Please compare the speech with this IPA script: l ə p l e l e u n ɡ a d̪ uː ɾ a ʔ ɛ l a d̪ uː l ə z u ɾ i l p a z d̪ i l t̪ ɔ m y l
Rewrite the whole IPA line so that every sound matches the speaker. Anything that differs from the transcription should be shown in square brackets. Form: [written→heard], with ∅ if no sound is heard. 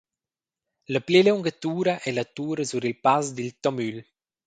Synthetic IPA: l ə p l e l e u [n→ŋ] ɡ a [d̪→t̪] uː ɾ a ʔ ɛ l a [d̪→t̪] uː [l→ɾ] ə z u ɾ i l p a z d̪ i l t̪ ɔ m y l